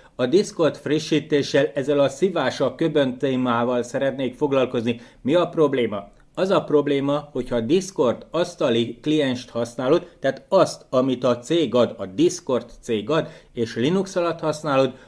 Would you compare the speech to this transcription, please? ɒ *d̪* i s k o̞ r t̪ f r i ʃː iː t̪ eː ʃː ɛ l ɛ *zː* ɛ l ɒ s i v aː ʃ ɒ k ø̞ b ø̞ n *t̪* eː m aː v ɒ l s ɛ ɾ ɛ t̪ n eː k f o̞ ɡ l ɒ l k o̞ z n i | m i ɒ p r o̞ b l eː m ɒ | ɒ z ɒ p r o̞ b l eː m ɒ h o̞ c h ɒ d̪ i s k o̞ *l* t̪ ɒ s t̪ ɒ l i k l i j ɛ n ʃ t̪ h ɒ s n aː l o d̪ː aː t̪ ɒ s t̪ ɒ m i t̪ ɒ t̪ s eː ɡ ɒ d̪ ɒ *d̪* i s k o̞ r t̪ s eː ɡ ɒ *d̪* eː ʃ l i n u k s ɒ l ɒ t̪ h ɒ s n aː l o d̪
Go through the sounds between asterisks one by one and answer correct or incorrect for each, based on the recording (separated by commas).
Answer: correct, correct, correct, incorrect, correct, correct